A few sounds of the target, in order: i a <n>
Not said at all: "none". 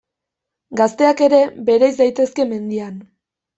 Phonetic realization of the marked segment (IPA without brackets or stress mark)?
n